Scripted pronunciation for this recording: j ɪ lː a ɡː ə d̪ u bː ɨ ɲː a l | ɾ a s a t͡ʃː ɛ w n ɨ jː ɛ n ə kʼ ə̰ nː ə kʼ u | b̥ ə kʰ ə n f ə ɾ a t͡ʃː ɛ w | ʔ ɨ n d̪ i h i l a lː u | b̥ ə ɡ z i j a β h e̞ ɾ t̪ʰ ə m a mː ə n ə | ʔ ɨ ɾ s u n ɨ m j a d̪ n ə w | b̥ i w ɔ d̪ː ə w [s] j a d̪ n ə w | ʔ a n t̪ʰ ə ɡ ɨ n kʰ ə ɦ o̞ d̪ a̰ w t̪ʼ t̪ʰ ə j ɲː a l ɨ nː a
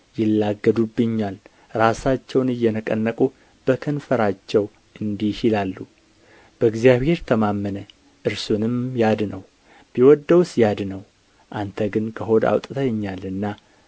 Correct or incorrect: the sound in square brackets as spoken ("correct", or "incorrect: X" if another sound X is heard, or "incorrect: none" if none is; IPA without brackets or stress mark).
correct